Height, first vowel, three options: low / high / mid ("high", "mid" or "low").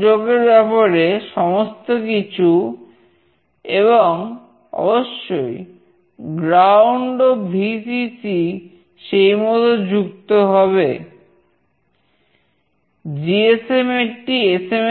mid